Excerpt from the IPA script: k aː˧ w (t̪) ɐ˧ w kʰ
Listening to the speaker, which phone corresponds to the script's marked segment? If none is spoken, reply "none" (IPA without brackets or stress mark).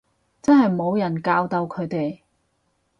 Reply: t̪